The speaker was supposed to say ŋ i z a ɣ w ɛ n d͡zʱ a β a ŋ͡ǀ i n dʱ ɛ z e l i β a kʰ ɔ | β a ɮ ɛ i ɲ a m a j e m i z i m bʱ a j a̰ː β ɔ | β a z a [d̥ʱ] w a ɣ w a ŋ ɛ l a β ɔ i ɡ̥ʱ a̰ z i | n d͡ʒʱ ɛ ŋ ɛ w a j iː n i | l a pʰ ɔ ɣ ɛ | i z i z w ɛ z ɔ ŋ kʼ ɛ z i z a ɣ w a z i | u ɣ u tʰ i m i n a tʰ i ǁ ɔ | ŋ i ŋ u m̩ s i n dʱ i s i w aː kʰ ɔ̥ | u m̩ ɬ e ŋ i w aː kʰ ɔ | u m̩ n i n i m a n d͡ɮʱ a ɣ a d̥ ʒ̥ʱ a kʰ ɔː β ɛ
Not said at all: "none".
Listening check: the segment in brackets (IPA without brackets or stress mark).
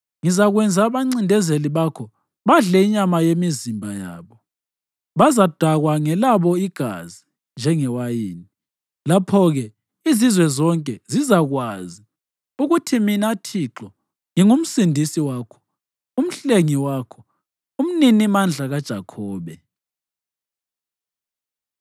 d̥ʱ